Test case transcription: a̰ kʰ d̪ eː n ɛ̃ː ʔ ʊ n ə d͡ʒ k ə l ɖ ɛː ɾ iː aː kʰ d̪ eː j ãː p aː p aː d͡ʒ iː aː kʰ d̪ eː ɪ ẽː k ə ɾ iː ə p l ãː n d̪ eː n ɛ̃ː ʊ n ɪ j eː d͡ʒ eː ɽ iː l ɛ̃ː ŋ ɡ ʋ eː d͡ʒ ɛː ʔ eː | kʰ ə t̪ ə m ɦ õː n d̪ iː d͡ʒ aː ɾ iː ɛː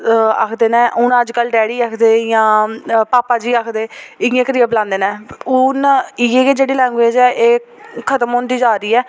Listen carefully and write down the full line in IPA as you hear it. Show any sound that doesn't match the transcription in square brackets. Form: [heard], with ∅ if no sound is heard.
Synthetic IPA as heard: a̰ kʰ d̪ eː n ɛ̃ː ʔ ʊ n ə d͡ʒ k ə l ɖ ɛː [ɽ] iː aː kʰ d̪ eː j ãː p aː p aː d͡ʒ iː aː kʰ d̪ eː ɪ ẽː k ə ɾ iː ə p l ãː n d̪ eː n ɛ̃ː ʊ n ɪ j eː d͡ʒ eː ɽ iː l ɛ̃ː ŋ ɡ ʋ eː d͡ʒ ɛː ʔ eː | kʰ ə t̪ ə m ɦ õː n d̪ iː d͡ʒ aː ɾ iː ɛː